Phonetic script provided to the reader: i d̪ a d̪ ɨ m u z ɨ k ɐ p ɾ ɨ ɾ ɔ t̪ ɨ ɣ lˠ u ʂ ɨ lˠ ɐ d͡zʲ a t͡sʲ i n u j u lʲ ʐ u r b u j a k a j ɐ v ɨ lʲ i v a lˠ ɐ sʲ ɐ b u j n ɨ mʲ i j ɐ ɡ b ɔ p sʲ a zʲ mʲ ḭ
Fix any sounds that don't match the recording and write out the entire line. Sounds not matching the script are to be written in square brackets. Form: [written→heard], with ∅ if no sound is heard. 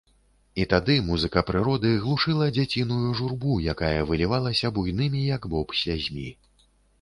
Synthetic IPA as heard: i [d̪→t̪] a d̪ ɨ m u z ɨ k ɐ p ɾ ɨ ɾ ɔ [t̪→d̪] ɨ ɣ lˠ u ʂ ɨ lˠ ɐ d͡zʲ a t͡sʲ i n u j u [lʲ→∅] ʐ u r b u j a k a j ɐ v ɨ lʲ i v a lˠ ɐ sʲ ɐ b u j n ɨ mʲ i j ɐ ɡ b ɔ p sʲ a zʲ mʲ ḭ